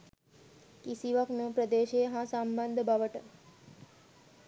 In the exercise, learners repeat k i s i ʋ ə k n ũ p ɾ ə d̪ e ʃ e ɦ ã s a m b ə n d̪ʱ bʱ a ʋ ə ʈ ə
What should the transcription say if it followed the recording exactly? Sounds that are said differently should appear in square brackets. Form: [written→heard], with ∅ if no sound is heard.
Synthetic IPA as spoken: k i s i ʋ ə k n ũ p ɾ ə d̪ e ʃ e ɦ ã s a m b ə n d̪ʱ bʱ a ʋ ə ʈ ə